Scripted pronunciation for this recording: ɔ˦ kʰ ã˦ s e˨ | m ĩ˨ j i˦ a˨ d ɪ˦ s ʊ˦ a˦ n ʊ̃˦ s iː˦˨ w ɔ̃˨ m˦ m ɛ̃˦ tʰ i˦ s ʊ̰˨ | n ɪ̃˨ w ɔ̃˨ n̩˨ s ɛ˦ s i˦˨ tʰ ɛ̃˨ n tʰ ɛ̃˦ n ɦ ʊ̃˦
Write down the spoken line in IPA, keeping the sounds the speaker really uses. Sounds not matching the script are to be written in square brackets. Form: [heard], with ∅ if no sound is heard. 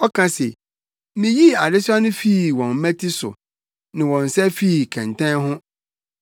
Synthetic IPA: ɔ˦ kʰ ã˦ s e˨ | m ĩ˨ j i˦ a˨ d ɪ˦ s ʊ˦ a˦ n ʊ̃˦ [f] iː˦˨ w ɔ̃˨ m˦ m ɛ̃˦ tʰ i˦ s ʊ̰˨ | n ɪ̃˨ w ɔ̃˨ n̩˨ s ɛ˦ [f] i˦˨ [kʰ] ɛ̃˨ n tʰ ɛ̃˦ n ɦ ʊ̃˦